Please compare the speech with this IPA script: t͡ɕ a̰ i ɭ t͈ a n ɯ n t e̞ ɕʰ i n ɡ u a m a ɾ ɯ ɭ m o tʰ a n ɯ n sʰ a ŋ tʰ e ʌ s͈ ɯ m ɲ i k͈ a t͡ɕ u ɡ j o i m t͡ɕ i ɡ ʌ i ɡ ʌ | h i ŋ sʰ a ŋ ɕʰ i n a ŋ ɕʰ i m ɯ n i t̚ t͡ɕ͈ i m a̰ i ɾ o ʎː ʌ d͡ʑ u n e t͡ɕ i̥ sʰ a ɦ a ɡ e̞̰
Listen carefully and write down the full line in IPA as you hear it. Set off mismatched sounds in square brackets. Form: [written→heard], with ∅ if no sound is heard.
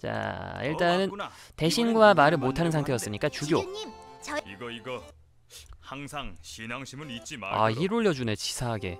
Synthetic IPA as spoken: t͡ɕ a̰ i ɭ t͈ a n ɯ n t e̞ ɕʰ i n ɡ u a m a ɾ ɯ ɭ m o tʰ a n ɯ n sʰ a ŋ tʰ e ʌ s͈ ɯ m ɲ i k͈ a t͡ɕ u ɡ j o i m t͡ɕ i ɡ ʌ i ɡ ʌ | h [i→a] ŋ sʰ a ŋ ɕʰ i n a ŋ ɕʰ i m ɯ n i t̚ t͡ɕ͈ i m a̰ i ɾ o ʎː ʌ d͡ʑ u n e t͡ɕ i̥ sʰ a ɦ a ɡ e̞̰